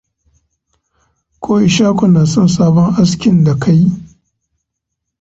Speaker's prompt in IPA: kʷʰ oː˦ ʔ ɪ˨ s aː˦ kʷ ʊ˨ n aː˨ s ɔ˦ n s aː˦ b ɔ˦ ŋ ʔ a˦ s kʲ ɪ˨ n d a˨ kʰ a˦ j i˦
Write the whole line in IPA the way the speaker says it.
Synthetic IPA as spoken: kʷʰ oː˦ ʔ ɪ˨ ʃ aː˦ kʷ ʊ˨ n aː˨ s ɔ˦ n s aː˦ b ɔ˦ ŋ ʔ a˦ s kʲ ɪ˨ n d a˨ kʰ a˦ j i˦